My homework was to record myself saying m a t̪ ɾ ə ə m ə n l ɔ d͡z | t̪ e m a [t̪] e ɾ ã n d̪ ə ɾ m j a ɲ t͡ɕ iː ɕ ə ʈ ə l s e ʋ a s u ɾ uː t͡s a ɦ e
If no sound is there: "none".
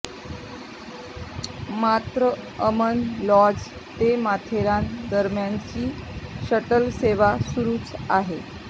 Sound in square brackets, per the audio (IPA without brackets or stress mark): t̪ʰ